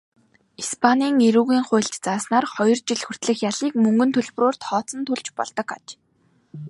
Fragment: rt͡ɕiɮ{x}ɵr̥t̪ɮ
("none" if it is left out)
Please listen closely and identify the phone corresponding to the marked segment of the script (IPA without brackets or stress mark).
x